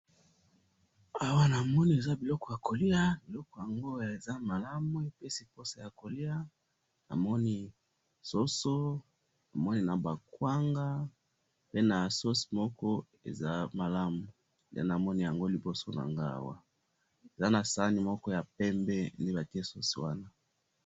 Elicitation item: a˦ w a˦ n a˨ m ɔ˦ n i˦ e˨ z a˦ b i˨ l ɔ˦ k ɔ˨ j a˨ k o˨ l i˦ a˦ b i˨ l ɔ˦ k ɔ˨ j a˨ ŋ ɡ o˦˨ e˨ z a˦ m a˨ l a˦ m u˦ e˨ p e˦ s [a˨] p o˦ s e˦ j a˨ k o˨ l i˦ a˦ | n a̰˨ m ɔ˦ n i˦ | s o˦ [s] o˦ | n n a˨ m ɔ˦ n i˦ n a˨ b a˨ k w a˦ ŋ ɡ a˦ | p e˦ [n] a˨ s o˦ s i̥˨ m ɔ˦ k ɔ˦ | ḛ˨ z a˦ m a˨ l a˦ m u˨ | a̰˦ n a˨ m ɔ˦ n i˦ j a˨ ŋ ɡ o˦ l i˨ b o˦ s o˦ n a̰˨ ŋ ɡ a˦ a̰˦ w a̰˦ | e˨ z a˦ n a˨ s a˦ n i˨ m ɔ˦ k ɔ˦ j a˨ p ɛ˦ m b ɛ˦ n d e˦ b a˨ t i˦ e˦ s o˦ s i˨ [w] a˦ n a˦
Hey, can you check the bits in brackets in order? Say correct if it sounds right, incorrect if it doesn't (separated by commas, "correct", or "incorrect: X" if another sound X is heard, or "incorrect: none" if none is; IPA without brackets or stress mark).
incorrect: i˨, correct, correct, correct